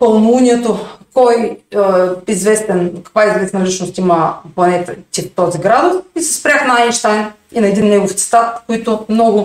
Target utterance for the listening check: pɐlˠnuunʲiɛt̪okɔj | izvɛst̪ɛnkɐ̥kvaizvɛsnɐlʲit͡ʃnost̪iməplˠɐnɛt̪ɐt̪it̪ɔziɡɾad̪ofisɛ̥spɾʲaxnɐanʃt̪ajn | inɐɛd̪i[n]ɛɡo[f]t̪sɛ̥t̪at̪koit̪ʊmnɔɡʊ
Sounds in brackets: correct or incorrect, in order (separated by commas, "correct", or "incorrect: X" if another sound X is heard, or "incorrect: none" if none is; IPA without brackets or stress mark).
incorrect: nː, correct